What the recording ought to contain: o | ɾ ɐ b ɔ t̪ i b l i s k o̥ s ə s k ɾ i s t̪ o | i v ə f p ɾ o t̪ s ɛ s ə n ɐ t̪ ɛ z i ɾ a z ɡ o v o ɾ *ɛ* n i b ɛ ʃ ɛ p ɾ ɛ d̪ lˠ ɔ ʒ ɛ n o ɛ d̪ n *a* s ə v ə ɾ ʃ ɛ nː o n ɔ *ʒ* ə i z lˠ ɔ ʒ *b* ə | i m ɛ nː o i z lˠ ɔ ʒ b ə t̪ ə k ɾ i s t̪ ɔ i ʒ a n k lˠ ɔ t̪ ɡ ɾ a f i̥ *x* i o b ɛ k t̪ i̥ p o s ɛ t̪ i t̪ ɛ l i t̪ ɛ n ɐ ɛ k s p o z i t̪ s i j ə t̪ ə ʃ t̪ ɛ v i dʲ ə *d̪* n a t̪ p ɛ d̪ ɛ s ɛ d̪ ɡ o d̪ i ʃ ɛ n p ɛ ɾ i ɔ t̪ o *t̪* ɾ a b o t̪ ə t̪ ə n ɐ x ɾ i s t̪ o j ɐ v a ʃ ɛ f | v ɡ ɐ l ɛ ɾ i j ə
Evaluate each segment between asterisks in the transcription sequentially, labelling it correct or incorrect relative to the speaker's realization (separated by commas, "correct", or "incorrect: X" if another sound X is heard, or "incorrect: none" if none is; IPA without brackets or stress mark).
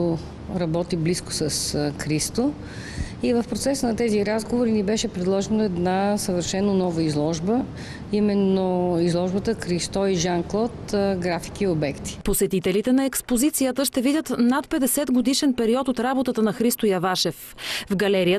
incorrect: i, correct, incorrect: v, correct, incorrect: k, incorrect: t̪, correct